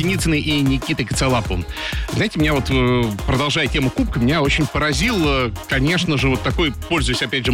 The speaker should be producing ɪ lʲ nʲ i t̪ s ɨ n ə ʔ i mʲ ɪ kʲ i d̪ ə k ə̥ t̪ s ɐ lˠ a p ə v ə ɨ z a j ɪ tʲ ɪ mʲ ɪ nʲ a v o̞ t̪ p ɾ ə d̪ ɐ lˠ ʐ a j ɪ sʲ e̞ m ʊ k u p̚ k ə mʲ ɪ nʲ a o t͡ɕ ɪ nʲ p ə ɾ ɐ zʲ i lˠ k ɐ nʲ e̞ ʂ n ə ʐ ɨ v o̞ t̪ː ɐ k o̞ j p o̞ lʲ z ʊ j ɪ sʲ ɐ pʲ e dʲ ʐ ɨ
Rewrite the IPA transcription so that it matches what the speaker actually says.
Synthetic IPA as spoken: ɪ nʲ i t̪ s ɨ n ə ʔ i nʲ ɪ kʲ i t̪ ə k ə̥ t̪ s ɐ lˠ a p ə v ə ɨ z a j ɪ tʲ ɪ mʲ ɪ nʲ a v o̞ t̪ p ɾ ə d̪ ɐ lˠ ʐ a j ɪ tʲ e̞ m ʊ k u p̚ k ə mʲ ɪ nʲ a o t͡ɕ ɪ nʲ p ə ɾ ɐ zʲ i lˠ k ɐ nʲ e̞ ʂ n ə ʐ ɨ v o̞ t̪ː ɐ k o̞ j p o̞ lʲ z ʊ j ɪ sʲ ɐ pʲ æ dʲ ʐ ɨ